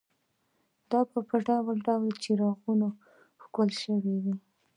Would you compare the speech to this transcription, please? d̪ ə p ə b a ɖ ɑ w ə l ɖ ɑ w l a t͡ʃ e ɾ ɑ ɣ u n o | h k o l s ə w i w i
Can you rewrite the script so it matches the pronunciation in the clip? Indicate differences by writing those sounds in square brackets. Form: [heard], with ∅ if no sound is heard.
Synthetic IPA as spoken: d̪ [ɑ] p ə [p] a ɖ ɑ w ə l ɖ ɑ w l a t͡ʃ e ɾ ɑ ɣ u n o | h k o l [ʃ] ə w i w i